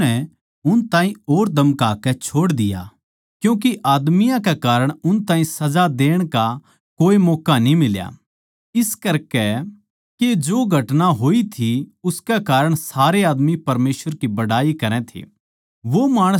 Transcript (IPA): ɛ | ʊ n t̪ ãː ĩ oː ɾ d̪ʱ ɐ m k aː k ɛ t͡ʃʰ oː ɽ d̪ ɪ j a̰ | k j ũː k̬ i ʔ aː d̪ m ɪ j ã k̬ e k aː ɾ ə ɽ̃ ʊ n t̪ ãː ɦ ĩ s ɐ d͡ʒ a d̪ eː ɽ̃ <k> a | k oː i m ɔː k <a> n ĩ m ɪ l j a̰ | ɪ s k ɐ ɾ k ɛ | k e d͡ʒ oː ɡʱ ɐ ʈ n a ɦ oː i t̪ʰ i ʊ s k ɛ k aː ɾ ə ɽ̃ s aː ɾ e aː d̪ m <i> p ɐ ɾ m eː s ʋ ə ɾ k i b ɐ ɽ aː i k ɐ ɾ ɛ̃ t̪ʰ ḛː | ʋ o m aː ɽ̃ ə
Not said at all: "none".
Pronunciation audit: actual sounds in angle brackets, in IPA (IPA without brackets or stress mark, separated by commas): k, a, i